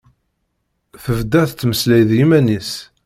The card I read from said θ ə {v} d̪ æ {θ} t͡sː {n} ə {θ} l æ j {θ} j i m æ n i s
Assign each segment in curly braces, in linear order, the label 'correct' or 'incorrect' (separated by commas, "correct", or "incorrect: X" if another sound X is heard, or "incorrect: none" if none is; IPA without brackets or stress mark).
correct, correct, incorrect: m, incorrect: s, incorrect: ð